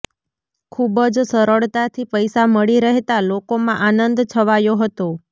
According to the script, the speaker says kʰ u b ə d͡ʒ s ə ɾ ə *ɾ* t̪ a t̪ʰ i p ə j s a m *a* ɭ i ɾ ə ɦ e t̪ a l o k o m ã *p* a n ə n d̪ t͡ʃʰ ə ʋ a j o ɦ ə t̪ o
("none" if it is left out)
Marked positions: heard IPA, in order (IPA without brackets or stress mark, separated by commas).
ɭ, ə, ʔ